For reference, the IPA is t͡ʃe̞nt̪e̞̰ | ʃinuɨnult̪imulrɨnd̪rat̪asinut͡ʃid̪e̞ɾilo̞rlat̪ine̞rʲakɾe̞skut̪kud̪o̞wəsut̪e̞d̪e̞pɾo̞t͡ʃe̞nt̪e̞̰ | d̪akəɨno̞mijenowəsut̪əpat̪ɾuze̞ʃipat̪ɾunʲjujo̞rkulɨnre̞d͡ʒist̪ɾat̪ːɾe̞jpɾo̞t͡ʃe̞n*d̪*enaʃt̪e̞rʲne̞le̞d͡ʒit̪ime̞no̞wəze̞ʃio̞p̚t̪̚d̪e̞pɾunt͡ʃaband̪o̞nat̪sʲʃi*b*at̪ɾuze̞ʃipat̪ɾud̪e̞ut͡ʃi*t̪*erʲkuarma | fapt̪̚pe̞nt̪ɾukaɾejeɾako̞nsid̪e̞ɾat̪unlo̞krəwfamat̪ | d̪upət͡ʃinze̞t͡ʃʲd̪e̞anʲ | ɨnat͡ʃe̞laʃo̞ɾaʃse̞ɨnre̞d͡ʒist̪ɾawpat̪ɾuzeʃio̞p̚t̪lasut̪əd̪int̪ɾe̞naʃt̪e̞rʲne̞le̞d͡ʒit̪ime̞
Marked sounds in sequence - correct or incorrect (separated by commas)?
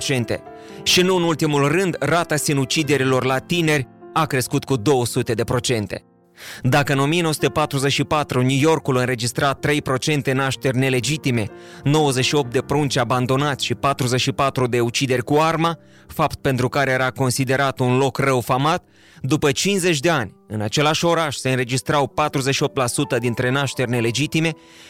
incorrect, incorrect, incorrect